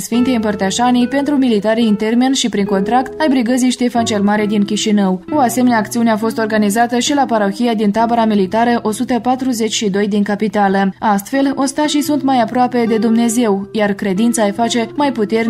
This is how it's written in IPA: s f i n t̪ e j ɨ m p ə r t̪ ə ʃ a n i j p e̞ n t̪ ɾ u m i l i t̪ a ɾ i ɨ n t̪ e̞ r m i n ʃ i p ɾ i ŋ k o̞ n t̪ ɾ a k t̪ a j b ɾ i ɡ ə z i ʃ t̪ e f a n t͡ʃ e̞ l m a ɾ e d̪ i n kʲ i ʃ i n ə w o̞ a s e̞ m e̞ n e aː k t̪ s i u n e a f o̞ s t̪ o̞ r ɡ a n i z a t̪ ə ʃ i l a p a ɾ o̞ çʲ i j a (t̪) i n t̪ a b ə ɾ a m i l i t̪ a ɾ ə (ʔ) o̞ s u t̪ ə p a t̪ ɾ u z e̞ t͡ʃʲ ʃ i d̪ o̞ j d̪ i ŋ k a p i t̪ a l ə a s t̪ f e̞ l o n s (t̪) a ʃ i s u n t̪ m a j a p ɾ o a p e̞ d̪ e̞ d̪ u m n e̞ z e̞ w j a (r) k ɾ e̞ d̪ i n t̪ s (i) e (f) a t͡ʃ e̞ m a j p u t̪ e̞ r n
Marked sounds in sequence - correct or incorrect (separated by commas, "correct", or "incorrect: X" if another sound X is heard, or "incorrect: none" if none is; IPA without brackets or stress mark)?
incorrect: d̪, correct, correct, correct, incorrect: a, correct